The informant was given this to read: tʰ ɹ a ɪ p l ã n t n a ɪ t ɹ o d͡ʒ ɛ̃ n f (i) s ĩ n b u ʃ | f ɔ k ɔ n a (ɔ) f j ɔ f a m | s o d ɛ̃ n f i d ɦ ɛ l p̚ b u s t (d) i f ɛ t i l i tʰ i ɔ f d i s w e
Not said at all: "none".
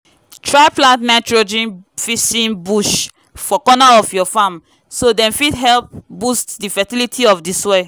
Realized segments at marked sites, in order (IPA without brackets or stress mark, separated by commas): i, ɔ, d